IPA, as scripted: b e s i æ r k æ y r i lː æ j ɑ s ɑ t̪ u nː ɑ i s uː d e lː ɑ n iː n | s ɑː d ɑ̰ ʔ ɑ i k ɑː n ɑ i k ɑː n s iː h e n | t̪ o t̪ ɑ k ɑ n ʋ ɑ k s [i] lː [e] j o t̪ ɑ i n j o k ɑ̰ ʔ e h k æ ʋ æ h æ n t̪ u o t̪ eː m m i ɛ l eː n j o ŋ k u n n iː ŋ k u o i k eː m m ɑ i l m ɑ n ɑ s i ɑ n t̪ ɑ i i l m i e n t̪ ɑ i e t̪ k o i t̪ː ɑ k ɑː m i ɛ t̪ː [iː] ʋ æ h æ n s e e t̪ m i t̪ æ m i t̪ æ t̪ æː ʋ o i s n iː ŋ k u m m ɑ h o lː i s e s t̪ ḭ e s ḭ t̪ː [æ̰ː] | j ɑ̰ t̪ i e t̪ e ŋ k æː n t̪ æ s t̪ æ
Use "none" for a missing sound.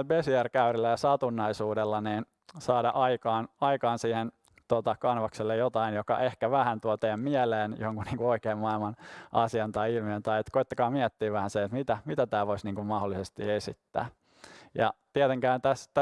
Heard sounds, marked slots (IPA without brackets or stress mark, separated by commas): e, e, iː, æ̰ː